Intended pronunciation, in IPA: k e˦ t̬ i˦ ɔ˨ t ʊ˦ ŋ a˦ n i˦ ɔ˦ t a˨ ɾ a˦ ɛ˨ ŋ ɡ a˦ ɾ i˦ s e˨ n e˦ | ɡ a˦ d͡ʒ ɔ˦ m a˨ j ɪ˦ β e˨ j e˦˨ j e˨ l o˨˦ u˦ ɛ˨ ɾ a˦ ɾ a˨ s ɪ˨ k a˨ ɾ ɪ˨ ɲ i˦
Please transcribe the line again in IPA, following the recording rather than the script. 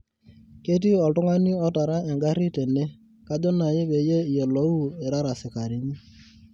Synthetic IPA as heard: k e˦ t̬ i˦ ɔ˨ t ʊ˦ ŋ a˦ n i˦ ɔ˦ t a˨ ɾ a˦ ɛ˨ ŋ ɡ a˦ ɾ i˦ t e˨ n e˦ | k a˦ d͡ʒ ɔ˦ n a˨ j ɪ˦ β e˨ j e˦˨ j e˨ l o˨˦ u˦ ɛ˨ ɾ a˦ ɾ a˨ s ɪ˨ k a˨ ɾ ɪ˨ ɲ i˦